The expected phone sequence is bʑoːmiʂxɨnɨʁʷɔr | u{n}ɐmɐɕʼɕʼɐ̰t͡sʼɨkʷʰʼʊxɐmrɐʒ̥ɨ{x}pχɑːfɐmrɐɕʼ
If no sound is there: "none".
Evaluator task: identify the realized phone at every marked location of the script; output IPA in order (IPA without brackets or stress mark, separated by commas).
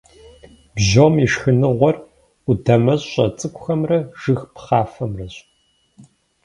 d, x